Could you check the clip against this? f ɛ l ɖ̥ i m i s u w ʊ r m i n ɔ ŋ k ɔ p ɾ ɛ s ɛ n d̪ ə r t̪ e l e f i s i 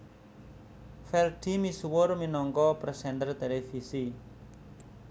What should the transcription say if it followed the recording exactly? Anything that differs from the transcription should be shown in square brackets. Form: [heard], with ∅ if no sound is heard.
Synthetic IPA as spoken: f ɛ l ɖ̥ i m i s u w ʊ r m i n ɔ ŋ k ɔ p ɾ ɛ s ɛ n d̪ ə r t̪ e l e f i s i